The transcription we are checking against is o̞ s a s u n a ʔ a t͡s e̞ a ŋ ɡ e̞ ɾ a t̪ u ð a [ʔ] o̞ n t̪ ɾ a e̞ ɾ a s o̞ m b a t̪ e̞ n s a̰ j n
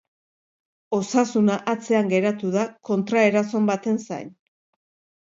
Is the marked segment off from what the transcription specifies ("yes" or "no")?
yes